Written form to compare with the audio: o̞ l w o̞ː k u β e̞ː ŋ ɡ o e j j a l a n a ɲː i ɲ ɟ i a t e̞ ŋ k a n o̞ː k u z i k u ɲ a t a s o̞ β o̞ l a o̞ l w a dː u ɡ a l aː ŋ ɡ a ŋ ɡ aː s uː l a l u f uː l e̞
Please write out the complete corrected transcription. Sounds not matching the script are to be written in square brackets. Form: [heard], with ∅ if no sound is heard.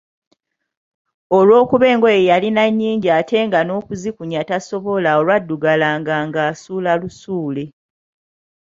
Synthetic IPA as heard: o̞ l w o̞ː k u β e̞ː ŋ ɡ o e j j a l [i] n a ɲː [iː] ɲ ɟ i a t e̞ ŋ [ɡ] a n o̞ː k u z i k u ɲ a t a s o̞ β o̞ l a o̞ l w a dː u ɡ a l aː ŋ ɡ a ŋ ɡ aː s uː l a l u [s] uː l e̞

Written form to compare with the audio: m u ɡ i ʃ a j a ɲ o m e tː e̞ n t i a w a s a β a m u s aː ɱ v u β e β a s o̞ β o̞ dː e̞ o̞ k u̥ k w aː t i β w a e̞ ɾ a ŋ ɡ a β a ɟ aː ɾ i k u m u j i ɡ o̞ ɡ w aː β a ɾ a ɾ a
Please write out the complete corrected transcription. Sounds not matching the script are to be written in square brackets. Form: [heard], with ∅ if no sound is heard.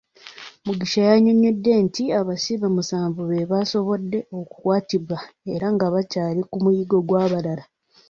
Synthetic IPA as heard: m u ɡ i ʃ a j a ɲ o [ɲ] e [dː] e̞ n t i a [β] a s [i] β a m u s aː ɱ v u β e β a s o̞ β o̞ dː e̞ o̞ k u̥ k w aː t i β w a e̞ ɾ a ŋ ɡ a β a [c] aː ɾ i k u m u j i ɡ o̞ ɡ w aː β a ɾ a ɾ a

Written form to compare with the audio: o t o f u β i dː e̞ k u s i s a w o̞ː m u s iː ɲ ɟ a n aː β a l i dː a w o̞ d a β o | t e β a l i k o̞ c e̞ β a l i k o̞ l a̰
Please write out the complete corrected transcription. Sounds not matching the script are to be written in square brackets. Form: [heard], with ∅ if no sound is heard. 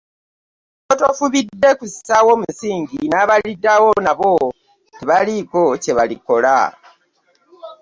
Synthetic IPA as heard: o t o f u β i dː e̞ k u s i s a w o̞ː m u s iː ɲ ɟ [i] n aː β a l i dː a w o̞ [n] a β o | t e β a l i k o̞ c e̞ β a l i k o̞ l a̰

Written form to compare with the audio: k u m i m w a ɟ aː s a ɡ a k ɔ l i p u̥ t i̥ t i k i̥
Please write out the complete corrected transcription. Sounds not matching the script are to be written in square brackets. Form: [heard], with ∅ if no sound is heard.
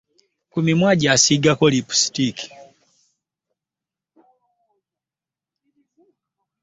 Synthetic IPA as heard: k u m i m w a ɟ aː s [i] ɡ a k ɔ l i p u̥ [s] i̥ t i k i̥

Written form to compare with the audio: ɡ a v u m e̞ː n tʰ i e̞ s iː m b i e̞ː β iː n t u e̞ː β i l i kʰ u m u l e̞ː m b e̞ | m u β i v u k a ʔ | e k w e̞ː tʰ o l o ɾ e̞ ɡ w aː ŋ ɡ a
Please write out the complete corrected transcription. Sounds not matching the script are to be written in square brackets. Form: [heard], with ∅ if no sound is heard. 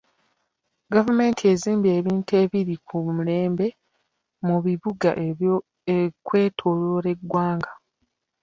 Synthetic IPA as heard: ɡ a v u m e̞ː n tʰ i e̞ [z] iː m b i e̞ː β iː n t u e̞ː β i [ɾ] i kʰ u m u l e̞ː m b e̞ | m u β i [β] u [ɡ] a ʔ | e k w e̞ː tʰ o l o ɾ e̞ ɡ w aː ŋ ɡ a

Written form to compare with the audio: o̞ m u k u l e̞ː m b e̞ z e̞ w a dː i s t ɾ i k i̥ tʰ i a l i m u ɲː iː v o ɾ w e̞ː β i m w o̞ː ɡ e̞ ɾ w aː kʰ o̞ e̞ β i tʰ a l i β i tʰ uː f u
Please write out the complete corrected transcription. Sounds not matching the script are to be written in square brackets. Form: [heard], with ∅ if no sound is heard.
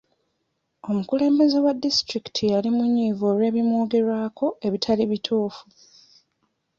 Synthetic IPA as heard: o̞ m u k u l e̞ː m b e̞ z e̞ w a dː i s t ɾ i k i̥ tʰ i a l i m u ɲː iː v o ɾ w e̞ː β i m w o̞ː ɡ e̞ ɾ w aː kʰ o̞ e̞ β i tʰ a l i β i tʰ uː f u

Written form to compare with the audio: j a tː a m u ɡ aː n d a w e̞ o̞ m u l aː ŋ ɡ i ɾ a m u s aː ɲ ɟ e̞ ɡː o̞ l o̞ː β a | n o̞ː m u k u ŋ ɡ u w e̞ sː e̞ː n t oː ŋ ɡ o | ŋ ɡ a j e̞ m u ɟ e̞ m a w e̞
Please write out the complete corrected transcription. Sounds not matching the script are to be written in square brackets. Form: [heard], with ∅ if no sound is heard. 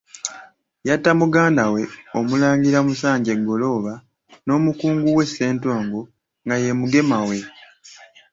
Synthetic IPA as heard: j a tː a m u ɡ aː n d a w e̞ o̞ m u l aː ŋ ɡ i ɾ a m u s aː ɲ ɟ e̞ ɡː o̞ l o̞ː β a | n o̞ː m u k [uː] ŋ ɡ u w e̞ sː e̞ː n t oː ŋ ɡ o | ŋ ɡ a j e̞ m u [ɡ] e̞ m a w e̞

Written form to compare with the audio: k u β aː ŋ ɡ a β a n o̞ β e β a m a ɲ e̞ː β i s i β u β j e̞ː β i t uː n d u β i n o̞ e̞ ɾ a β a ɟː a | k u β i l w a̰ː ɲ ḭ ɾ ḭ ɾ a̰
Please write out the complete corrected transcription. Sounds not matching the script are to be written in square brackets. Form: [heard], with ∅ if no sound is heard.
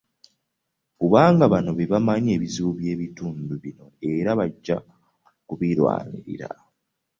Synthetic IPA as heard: k u β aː ŋ ɡ a β a n o̞ β e β a m a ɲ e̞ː β i [z] i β u β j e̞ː β i t uː n d u β i n o̞ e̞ ɾ a β a ɟː a | k u β i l w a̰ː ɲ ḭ ɾ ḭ ɾ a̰

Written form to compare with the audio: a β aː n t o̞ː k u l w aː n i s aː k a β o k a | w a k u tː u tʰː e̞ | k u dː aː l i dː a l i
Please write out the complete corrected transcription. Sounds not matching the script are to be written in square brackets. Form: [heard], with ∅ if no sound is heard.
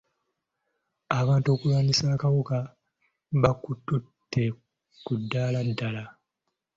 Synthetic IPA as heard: a β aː n t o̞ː k u l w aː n i s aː k a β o k a | [β] a k u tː u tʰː e̞ | k u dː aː l [a] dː a l [a]

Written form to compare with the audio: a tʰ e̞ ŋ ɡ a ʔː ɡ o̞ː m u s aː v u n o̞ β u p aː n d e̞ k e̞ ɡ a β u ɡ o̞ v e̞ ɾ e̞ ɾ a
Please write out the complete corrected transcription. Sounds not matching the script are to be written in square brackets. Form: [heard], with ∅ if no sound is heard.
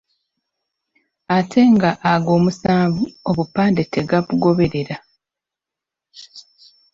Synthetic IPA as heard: a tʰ e̞ ŋ ɡ a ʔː ɡ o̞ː m u s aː v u [∅] o̞ β u p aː n d e̞ [t] e̞ ɡ a β u ɡ o̞ [β] e̞ ɾ e̞ ɾ a

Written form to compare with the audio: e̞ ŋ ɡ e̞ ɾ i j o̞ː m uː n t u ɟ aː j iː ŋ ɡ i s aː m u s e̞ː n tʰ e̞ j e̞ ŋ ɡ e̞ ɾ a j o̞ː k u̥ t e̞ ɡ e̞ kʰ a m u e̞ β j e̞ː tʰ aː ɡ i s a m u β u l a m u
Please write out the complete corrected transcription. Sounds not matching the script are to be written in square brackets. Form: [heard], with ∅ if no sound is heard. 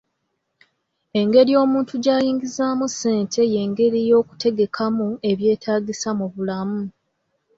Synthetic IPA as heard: e̞ ŋ ɡ e̞ ɾ i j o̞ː m uː n t u ɟ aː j iː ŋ ɡ i [z] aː m u s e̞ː n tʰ e̞ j e̞ ŋ ɡ e̞ ɾ [i] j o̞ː k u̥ t e̞ ɡ e̞ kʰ a m u e̞ β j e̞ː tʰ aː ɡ i s a m u β u l a m u

